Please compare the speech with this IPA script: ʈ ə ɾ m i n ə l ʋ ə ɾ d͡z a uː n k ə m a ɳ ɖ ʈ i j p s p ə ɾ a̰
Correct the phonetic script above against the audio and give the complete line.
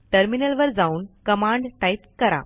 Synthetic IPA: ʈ ə ɾ m i n ə l ʋ ə ɾ d͡z a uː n k ə m a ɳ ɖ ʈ a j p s k ə ɾ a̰

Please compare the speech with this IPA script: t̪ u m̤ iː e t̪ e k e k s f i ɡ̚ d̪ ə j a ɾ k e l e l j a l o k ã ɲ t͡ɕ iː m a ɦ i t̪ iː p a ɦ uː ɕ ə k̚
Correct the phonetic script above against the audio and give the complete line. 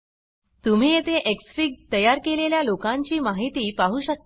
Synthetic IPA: t̪ u m̤ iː e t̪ e ʔ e k s f i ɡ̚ t̪ ə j a ɾ k e l e l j a l o k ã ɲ t͡ɕ iː m a ɦ i t̪ iː p a ɦ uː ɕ ə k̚

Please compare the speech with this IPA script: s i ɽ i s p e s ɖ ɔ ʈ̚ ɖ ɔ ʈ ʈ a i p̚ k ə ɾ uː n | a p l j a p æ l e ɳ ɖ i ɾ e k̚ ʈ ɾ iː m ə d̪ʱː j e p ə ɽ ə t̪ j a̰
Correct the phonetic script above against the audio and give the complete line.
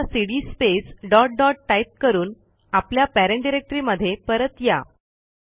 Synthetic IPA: s i ɽ i s p e s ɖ ɔ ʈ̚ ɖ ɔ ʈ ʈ a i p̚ k ə ɾ uː n | a p l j a p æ ɾ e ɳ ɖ i ɾ e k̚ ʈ ɾ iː m ə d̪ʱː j e p ə ɾ ə t̪ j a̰

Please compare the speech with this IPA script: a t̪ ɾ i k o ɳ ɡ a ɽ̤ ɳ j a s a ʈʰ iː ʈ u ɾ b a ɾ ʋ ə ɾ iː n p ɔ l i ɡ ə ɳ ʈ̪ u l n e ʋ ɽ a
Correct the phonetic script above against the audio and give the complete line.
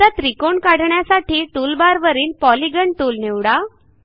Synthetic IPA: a t̪ ɾ i k o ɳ k a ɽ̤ ɳ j a s a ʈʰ iː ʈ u l b a ɾ ʋ ə ɾ iː n p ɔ l i ɡ ə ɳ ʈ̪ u l n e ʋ ɽ a

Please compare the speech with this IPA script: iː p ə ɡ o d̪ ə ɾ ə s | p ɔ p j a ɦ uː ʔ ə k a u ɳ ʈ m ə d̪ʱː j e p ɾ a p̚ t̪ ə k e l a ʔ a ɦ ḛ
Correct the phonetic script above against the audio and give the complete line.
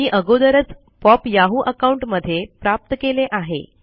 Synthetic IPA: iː ʔ ə ɡ o d̪ ə ɾ ə t͡s | p ɔ p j a ɦ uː ʔ ə k a u ɳ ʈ m ə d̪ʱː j e p ɾ a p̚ t̪ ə k e l e ʔ a ɦ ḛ

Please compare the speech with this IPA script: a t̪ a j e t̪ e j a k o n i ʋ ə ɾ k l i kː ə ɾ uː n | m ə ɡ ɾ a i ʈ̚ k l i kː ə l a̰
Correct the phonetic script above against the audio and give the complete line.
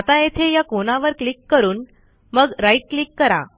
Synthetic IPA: a t̪ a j e t̪ʰ e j a k o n a ʋ ə ɾ k l i kː ə ɾ uː n | m ə ɡ ɾ a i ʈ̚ k l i kː ə ɾ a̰

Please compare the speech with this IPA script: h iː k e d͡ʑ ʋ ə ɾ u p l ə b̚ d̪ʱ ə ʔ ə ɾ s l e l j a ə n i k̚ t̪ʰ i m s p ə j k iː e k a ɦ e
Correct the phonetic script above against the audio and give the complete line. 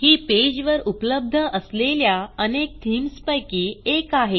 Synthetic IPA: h iː p e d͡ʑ ʋ ə ɾ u p l ə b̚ d̪ʱ ə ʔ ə s l e l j a ə n e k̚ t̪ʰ i m s p ə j k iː e k a ɦ e

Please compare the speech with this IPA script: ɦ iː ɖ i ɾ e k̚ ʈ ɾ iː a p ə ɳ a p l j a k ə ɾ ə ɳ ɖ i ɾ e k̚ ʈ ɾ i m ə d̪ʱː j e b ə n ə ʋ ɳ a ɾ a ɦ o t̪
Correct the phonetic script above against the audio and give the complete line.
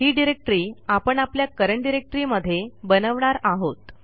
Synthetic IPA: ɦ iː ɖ i ɾ e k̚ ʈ ɾ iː a p ə ɳ a p l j a k ə ɾ ə ɳ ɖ i ɾ e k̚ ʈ ɾ i m ə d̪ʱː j e b ə n ə ʋ ɳ a ɾ a ɦ o t̪

